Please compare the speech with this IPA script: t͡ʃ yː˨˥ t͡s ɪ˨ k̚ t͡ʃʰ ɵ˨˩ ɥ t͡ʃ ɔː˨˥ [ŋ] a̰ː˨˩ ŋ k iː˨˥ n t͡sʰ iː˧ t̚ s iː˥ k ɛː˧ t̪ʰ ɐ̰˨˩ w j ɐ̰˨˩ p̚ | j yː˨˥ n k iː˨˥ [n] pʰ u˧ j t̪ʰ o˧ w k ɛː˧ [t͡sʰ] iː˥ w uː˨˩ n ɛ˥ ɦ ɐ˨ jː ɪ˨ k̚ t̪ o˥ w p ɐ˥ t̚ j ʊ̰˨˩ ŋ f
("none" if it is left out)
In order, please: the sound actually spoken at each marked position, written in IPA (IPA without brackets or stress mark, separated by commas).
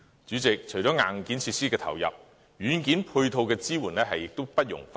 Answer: ŋ, n, t͡s